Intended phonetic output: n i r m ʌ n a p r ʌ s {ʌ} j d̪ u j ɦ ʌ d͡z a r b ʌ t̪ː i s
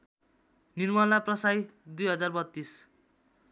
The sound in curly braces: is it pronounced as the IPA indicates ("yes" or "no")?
no